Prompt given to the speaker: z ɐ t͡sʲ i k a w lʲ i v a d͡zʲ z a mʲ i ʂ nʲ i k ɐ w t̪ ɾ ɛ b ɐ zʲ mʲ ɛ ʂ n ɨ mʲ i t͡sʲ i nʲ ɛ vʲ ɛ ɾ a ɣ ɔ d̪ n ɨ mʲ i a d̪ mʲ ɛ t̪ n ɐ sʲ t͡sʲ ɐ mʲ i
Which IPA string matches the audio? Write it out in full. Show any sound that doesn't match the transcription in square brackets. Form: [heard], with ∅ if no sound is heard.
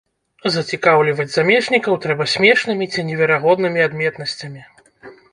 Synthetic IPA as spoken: z ɐ t͡sʲ i k a w lʲ i v [ɐ] d͡zʲ z a mʲ [ɛ] ʂ nʲ i k ɐ w t̪ ɾ ɛ b ɐ [sʲ] mʲ ɛ ʂ n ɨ mʲ i t͡sʲ i nʲ ɛ vʲ ɛ ɾ a ɣ ɔ d̪ n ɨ mʲ i a d̪ mʲ ɛ t̪ n ɐ sʲ t͡sʲ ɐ mʲ i